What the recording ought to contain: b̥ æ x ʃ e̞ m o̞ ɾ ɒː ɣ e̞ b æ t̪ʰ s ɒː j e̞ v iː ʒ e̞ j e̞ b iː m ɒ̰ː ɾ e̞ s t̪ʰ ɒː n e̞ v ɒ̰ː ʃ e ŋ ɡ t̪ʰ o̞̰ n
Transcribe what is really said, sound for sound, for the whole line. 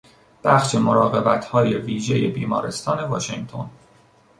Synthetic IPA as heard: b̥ æ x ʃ e̞ m o̞ ɾ ɒː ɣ e̞ b æ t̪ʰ h ɒː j e̞ v iː ʒ e̞ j e̞ b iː m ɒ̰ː ɾ e̞ s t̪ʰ ɒː n e̞ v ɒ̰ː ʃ e ŋ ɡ t̪ʰ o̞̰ n